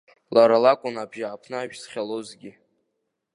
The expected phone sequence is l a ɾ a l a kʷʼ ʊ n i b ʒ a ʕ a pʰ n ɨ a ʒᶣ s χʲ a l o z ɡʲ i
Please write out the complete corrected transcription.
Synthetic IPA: l a ɾ a l a kʷʼ ʊ n a b ʒ a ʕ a pʰ n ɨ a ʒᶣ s χʲ a l o z ɡʲ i